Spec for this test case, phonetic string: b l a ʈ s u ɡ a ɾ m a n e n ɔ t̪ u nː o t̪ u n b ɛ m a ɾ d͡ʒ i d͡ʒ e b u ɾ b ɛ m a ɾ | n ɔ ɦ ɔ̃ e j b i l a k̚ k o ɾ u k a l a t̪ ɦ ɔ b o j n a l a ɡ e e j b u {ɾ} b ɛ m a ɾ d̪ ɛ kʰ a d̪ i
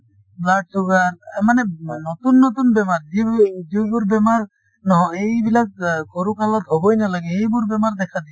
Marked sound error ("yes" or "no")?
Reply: no